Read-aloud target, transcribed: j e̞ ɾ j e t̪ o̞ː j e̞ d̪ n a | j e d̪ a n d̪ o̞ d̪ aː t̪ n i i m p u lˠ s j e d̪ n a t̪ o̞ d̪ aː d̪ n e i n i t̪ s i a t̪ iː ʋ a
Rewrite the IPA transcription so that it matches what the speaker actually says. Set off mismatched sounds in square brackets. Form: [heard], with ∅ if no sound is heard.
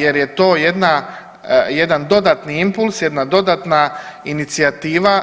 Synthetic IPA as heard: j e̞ ɾ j e t̪ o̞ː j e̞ d̪ n a | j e d̪ a n d̪ o̞ d̪ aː t̪ n i i m p u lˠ s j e d̪ n a [d̪] o̞ d̪ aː [t̪] n [a] i n i t̪ s i a t̪ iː ʋ a